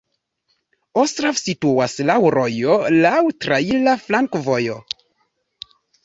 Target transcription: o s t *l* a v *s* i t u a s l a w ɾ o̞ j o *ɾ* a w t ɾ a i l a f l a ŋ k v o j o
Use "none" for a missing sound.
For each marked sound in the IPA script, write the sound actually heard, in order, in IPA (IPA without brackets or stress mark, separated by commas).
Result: ɾ, s, l